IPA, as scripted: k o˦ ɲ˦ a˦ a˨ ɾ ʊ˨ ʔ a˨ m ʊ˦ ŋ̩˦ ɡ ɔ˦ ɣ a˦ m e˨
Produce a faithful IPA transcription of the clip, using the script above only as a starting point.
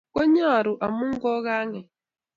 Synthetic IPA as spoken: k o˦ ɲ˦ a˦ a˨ ɾ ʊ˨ ʔ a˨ m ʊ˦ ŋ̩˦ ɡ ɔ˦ ɣ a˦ ŋ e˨